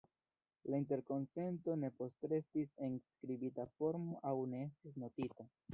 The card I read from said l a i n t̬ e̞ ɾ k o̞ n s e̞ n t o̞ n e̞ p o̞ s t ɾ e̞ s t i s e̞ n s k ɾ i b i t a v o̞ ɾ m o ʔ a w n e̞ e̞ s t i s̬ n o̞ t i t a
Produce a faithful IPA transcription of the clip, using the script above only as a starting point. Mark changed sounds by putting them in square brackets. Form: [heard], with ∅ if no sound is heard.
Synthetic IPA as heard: l a i n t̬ e̞ ɾ k o̞ n s e̞ n t o̞ n e̞ p o̞ s t ɾ e̞ s t i s e̞ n s k ɾ i b i t a [f] o̞ ɾ m o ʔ a w n e̞ e̞ s t i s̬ n o̞ t i t a

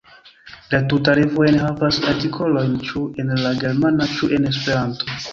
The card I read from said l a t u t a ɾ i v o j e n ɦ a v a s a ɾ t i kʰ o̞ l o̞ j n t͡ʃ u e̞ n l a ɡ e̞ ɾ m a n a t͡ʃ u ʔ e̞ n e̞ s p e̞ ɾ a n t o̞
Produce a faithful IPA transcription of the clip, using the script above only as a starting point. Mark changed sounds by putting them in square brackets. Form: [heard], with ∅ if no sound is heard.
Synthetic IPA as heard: l a t u t a ɾ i v o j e n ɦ a v a s a ɾ t i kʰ o̞ l o̞ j n t͡ʃ u e̞ n l a ɡ e̞ ɾ m a n a t͡ʃ u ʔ e̞ n e̞ s p e̞ ɾ a n t o̞

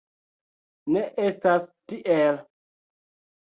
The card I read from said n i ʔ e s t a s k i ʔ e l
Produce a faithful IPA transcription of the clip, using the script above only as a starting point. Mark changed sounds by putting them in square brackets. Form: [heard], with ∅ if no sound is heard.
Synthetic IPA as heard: n [e] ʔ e s t a s [t] i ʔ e l

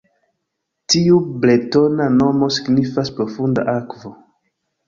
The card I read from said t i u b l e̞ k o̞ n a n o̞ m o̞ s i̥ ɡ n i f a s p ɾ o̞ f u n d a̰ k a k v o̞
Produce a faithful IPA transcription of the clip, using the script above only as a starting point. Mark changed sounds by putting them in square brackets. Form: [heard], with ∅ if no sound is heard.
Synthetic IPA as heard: t i u b l e̞ [t] o̞ n a n o̞ m o̞ s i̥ ɡ n i f a s p ɾ o̞ f u n d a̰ [ʔ] a k v o̞

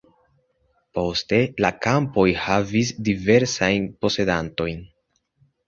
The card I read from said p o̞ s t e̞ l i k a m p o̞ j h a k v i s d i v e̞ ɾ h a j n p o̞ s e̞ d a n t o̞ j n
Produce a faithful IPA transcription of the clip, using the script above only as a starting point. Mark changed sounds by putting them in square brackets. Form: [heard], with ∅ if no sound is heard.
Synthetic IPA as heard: p o̞ s t e̞ l [a] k a m p o̞ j h a [∅] v i s d i v e̞ ɾ [s] a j n p o̞ s e̞ d a n t o̞ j n

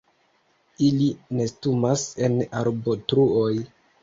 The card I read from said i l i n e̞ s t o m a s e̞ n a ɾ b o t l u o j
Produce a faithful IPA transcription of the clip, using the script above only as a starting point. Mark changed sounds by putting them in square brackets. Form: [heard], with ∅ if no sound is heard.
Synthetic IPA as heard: i l i n e̞ s t [u] m a s e̞ n a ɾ b o t [ɾ] u o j

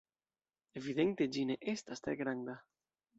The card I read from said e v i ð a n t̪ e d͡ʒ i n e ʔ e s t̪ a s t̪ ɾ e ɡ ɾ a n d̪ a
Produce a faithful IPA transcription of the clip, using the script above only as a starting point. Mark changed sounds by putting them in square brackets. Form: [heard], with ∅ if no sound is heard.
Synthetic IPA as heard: e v i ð [e] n t̪ e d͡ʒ i n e ʔ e s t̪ a s t̪ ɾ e ɡ ɾ a n d̪ a

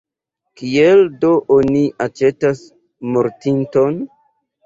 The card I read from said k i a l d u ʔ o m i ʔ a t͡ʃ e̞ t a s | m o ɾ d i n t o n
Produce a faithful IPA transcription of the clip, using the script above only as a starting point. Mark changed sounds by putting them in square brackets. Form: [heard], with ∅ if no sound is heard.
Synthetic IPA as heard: k i [e] l d [o] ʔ o [n] i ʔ a t͡ʃ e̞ t a s | m o ɾ [t] i n t o n

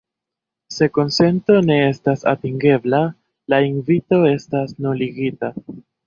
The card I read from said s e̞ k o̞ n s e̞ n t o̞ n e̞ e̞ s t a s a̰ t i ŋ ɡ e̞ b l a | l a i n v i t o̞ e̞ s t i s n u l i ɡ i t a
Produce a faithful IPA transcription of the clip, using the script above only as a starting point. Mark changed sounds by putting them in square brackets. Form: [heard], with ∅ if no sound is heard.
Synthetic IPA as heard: s e̞ k o̞ n s e̞ n t o̞ n e̞ e̞ s t a s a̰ t i ŋ ɡ e̞ b l a | l a i n v i t o̞ e̞ s t [a] s n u l i ɡ i t a

